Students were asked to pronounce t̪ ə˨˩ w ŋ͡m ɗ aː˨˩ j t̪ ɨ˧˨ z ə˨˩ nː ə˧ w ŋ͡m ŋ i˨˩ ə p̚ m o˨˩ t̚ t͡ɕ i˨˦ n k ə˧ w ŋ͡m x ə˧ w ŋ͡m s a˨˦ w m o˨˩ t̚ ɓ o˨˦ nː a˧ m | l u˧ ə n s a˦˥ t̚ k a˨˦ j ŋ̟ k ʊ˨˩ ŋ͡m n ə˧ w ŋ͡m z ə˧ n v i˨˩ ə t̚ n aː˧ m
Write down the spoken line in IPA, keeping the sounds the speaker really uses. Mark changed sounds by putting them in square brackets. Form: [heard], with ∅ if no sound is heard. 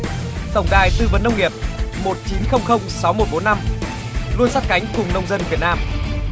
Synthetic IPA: t̪ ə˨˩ w ŋ͡m ɗ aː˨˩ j t̪ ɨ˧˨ [v] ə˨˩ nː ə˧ w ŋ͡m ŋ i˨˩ ə p̚ m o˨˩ t̚ t͡ɕ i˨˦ n [x] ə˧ w ŋ͡m x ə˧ w ŋ͡m s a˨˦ w m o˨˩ t̚ ɓ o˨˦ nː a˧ m | l u˧ ə n s a˦˥ t̚ k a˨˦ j ŋ̟ k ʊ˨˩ ŋ͡m n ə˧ w ŋ͡m z ə˧ n v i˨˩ ə t̚ n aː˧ m

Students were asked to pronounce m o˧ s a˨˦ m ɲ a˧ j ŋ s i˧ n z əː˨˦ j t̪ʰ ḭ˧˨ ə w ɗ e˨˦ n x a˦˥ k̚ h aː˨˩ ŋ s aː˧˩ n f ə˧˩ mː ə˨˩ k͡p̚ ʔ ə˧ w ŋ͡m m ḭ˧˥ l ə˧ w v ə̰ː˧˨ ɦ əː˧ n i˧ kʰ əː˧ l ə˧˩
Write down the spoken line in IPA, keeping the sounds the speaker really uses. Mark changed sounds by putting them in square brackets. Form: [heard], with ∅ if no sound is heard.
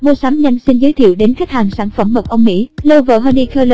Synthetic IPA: m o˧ s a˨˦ m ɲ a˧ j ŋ s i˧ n z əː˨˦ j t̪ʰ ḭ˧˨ ə w ɗ e˨˦ n x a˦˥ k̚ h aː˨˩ ŋ s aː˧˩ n f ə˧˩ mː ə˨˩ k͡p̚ ʔ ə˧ w ŋ͡m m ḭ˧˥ l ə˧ w v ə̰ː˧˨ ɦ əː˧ n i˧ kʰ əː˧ l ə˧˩

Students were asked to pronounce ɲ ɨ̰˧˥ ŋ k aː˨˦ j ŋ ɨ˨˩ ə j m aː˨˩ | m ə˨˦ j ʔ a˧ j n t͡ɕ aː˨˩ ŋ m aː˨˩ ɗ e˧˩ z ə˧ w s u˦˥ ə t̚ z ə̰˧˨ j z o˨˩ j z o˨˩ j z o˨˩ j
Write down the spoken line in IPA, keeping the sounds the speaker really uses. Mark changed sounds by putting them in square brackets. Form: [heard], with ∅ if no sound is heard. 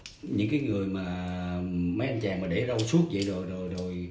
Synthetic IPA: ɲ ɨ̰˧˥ ŋ k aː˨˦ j ŋ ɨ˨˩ ə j m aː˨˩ | m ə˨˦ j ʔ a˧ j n t͡ɕ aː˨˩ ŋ m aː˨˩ ɗ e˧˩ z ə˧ w s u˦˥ ə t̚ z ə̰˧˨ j z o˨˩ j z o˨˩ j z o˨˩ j

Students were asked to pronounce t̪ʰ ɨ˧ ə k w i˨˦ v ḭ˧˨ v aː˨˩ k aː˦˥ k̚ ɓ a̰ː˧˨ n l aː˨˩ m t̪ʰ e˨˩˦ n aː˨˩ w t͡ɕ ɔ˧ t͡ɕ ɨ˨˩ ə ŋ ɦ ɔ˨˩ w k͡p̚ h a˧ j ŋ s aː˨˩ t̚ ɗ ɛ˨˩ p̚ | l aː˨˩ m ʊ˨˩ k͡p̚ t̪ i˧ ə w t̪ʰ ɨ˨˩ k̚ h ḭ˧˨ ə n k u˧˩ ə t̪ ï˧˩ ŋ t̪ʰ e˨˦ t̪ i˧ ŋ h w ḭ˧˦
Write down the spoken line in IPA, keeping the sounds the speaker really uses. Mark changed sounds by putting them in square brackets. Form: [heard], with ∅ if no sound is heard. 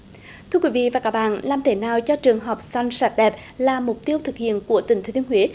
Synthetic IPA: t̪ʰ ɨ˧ ə k w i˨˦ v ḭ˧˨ v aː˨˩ k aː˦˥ k̚ ɓ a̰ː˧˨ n l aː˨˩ m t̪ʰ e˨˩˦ n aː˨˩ w t͡ɕ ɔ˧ t͡ɕ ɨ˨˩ ə ŋ ɦ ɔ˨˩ w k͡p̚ [s] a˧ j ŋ s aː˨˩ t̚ ɗ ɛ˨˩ p̚ | l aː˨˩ m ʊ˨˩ k͡p̚ t̪ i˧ ə w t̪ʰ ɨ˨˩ k̚ h ḭ˧˨ ə n k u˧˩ ə t̪ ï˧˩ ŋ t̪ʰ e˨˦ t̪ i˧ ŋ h w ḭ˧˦

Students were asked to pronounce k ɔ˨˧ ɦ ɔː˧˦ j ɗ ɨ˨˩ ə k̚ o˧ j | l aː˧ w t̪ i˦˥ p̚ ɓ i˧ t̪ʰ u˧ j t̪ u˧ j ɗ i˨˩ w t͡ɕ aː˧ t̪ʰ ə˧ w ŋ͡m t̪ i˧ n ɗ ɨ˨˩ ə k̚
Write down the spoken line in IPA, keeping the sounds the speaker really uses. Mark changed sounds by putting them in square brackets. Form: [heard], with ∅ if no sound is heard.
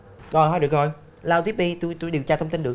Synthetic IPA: k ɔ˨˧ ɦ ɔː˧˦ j ɗ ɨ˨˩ ə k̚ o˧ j | l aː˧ w t̪ i˦˥ p̚ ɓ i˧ [t̪] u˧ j t̪ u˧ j ɗ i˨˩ w t͡ɕ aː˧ t̪ʰ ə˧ w ŋ͡m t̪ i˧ n ɗ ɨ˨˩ ə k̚

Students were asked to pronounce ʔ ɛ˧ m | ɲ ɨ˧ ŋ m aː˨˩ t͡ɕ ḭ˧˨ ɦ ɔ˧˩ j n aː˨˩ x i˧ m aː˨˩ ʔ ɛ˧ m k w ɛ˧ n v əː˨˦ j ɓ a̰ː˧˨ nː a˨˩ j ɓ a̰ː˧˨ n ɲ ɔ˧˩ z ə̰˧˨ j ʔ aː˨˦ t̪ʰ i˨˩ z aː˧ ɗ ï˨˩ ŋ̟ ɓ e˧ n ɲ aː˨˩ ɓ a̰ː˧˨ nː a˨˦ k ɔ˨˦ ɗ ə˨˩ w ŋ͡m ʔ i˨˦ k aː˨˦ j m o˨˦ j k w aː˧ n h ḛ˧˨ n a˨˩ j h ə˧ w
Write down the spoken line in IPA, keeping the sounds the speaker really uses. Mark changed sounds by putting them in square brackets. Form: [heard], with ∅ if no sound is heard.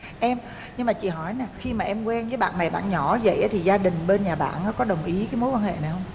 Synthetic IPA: ʔ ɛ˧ m | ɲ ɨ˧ ŋ m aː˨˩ t͡ɕ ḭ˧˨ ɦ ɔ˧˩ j n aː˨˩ x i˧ m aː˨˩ ʔ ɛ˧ m k w ɛ˧ n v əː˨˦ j ɓ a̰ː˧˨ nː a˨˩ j ɓ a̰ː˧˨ n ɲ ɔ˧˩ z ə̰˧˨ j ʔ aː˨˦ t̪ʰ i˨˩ z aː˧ ɗ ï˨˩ ŋ̟ ɓ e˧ n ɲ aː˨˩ ɓ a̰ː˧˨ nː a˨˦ k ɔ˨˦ ɗ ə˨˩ w ŋ͡m ʔ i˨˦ k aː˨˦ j m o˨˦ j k w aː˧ n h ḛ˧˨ n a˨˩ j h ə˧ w

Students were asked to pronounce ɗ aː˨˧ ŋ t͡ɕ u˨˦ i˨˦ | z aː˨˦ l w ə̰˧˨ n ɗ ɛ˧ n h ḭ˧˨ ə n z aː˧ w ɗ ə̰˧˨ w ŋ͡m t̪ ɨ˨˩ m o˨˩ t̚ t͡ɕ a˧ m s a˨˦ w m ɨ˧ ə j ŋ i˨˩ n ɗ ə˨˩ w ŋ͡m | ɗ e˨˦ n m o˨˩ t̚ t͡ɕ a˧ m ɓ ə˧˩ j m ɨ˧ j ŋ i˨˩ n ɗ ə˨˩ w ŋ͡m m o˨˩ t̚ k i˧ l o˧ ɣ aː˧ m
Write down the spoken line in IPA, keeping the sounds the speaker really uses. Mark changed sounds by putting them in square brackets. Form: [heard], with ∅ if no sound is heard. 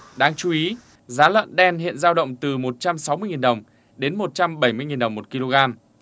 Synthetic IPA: ɗ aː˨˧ ŋ t͡ɕ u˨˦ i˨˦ | z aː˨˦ l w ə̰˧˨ n ɗ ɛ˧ n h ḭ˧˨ ə n z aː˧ w ɗ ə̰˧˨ w ŋ͡m t̪ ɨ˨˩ m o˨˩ t̚ t͡ɕ a˧ m s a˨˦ w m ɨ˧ ə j ŋ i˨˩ n ɗ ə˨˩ w ŋ͡m | ɗ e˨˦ n m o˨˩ t̚ t͡ɕ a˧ m ɓ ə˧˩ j m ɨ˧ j ŋ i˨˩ n ɗ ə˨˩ w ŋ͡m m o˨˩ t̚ k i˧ l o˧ ɣ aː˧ m

